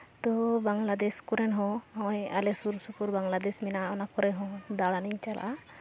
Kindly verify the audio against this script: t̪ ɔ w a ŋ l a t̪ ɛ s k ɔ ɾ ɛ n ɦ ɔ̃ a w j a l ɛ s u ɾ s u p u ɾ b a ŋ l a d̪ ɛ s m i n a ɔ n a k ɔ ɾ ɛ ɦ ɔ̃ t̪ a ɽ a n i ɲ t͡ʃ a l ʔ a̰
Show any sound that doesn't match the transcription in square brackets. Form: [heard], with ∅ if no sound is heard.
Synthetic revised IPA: t̪ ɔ [b] a ŋ l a [d̪] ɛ s k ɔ ɾ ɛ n ɦ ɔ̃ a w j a l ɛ s u ɾ s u p u ɾ b a ŋ l a d̪ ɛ s m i n a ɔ n a k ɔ ɾ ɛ ɦ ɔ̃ [d̪] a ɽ a n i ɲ t͡ʃ a l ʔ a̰